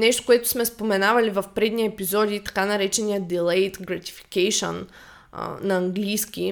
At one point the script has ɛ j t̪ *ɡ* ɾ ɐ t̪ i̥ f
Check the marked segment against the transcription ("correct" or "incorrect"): correct